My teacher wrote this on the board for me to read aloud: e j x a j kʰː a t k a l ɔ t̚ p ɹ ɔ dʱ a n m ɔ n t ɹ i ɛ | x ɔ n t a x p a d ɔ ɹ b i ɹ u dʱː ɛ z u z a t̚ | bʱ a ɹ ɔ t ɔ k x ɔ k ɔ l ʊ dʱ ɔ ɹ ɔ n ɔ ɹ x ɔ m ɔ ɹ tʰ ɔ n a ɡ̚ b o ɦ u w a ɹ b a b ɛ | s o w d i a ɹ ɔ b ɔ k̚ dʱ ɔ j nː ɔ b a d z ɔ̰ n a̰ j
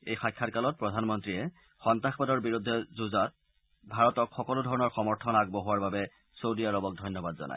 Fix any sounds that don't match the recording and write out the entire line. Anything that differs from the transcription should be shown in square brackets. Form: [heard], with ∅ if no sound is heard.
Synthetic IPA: e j x a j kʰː a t k a l ɔ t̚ p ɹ ɔ dʱ a n m ɔ n t ɹ i ɛ | x ɔ n t a x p a d ɔ ɹ b i ɹ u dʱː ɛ z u z a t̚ | bʱ a ɹ ɔ t ɔ k x ɔ k ɔ l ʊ dʱ ɔ ɹ ɔ n ɔ ɹ x ɔ m ɔ ɹ tʰ ɔ n a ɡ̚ b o ɦ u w a ɹ b a b ɛ | s o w d i a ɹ ɔ b ɔ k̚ dʱ ɔ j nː ɔ b a d z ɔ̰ n a̰ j